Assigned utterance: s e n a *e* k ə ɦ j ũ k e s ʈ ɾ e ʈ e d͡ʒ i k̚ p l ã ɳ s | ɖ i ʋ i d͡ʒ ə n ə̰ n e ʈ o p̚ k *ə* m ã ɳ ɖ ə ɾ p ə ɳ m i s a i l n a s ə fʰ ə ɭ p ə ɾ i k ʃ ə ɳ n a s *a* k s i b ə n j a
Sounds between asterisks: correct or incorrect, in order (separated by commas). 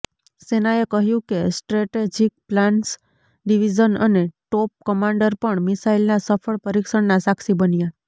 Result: correct, correct, correct